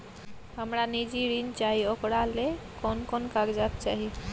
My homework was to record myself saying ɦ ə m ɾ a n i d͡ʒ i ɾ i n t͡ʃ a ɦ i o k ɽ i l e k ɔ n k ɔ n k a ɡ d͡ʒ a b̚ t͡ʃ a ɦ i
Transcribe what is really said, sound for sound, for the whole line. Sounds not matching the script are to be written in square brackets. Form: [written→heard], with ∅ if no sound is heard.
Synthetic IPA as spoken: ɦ ə m ɾ a n i d͡ʒ i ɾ i n t͡ʃ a ɦ i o k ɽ [i→a] l e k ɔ n k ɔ n k a ɡ d͡ʒ a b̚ t͡ʃ a ɦ i